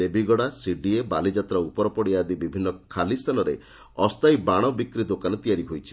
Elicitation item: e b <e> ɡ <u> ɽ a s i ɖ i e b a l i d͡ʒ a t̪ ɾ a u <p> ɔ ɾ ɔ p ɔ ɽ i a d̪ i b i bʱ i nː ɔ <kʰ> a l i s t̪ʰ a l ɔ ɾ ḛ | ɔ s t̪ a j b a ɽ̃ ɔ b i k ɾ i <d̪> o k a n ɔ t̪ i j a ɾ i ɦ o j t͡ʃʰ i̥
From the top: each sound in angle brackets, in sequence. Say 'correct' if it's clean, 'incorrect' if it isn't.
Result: incorrect: i, incorrect: ɔ, correct, correct, correct

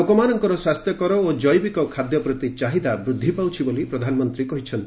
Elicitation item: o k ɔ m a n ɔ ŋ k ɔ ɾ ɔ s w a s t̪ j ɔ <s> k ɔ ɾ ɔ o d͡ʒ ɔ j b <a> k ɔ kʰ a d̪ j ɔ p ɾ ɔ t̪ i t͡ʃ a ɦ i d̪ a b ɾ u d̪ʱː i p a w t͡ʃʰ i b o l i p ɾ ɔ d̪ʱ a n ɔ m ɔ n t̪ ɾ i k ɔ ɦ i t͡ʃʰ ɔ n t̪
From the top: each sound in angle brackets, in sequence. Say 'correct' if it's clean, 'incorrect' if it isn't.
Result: incorrect: none, incorrect: i

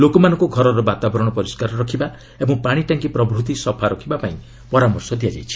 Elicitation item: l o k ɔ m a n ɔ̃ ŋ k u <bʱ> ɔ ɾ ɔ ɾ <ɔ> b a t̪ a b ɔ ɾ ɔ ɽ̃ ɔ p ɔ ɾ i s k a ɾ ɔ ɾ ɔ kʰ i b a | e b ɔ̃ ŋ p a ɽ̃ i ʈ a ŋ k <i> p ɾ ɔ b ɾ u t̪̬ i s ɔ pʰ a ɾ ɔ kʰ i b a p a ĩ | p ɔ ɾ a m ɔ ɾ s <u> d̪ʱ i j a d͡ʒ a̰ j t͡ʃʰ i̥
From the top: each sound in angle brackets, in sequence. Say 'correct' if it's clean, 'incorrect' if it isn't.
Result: incorrect: ɡʱ, correct, correct, incorrect: ɔ

